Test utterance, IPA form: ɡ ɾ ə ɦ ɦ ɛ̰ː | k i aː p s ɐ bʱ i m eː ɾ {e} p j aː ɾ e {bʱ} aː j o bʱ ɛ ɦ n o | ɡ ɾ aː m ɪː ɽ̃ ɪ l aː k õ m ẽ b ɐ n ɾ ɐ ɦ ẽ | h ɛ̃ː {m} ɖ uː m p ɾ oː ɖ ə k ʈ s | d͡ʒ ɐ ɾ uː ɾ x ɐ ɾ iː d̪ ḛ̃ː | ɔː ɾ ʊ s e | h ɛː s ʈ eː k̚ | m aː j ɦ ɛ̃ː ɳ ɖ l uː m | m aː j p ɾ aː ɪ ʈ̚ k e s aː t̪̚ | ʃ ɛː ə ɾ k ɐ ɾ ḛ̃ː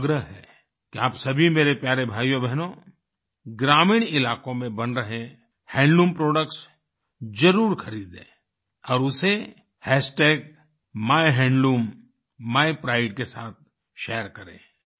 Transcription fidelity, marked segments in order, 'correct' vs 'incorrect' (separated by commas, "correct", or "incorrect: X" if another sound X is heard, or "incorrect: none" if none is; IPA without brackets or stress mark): correct, correct, incorrect: ɳ